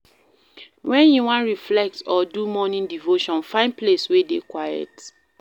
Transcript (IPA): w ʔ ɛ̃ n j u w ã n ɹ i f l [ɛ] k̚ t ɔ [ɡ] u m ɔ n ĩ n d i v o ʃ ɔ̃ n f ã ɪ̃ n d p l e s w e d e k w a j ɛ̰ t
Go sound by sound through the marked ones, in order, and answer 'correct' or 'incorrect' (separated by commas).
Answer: correct, incorrect